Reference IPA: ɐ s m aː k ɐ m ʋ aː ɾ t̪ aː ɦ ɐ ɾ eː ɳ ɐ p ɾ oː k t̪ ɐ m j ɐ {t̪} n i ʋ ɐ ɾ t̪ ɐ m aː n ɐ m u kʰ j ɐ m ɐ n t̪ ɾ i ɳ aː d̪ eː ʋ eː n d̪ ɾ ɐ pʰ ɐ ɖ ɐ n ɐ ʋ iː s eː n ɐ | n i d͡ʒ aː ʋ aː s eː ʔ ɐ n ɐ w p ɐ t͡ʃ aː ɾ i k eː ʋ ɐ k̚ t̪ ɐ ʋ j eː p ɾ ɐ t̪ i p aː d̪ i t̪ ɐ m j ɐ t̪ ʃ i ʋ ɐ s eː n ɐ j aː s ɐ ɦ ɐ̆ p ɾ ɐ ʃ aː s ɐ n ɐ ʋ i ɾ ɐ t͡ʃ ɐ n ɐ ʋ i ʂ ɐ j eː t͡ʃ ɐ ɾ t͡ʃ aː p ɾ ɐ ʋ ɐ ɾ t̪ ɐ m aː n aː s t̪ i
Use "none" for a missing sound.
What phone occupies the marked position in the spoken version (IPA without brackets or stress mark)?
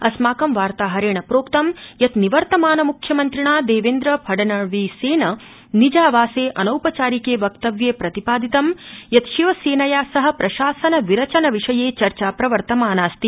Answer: t̪